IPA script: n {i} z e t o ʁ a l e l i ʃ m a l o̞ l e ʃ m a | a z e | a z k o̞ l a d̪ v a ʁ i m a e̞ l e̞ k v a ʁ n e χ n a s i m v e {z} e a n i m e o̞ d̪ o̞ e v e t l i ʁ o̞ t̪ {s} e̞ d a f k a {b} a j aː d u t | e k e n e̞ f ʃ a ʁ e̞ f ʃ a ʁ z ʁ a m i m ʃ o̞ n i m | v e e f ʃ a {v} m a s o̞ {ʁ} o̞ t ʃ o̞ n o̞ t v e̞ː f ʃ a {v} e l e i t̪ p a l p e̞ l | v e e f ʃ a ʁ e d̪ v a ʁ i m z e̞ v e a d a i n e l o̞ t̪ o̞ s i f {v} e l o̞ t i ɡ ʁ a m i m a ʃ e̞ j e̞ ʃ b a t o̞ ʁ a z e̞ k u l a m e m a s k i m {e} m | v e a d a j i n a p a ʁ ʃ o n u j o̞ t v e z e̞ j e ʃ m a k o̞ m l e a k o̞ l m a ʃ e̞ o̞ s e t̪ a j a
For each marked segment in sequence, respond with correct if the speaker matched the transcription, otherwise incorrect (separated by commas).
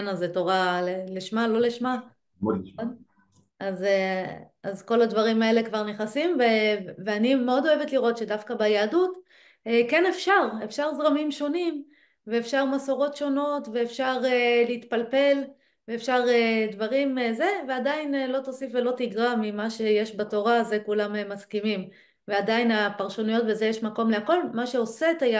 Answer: incorrect, incorrect, incorrect, correct, incorrect, correct, incorrect, correct, incorrect